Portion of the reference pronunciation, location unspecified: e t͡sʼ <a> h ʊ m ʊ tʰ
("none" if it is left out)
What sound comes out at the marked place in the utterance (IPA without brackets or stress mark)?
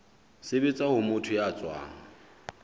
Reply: a